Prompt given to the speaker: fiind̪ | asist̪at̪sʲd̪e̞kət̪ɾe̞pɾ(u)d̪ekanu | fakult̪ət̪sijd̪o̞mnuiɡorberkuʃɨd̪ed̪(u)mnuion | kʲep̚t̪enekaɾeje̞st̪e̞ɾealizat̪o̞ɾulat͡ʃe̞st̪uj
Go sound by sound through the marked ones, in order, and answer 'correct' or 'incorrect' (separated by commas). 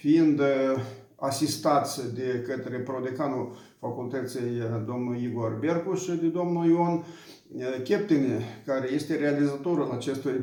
incorrect, incorrect